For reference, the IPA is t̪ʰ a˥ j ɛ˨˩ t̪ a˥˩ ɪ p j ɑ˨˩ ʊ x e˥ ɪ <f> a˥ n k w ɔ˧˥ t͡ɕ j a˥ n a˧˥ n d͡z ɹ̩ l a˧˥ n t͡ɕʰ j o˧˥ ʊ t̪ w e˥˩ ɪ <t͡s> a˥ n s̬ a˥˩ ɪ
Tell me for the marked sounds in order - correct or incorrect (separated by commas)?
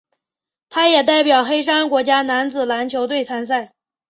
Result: incorrect, incorrect